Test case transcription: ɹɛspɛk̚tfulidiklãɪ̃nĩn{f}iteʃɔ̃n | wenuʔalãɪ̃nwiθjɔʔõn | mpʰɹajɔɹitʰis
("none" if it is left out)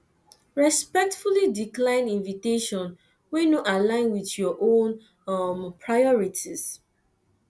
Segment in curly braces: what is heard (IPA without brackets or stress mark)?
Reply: v